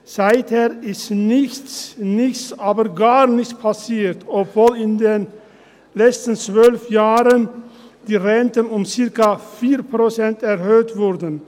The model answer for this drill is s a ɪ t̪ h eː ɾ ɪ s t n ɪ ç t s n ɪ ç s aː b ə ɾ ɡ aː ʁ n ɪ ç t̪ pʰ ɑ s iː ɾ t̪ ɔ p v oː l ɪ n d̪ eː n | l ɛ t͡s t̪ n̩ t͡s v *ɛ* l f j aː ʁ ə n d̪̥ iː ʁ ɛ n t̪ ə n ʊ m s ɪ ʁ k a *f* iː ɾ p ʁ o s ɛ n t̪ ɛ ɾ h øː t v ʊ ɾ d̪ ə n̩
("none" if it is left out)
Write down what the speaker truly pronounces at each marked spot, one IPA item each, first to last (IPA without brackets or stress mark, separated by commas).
œ, f